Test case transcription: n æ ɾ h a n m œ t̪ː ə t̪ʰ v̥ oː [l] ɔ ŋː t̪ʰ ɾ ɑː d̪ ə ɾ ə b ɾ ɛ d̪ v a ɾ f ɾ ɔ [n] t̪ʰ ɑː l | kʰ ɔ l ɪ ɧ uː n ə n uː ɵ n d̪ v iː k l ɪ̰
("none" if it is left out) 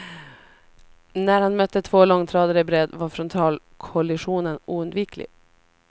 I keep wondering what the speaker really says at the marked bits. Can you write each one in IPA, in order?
l, n

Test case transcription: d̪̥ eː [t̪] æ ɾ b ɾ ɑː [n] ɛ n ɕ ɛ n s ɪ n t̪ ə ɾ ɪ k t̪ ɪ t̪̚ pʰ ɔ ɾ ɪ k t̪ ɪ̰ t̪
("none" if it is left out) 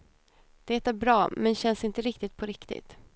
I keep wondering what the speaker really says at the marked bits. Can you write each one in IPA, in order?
t̪, m

